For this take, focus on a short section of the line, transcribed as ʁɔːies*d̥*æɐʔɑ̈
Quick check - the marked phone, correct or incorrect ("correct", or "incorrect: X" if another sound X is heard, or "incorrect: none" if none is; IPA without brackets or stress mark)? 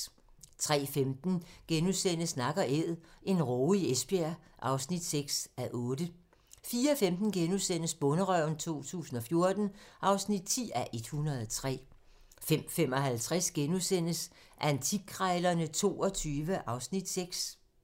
incorrect: b̥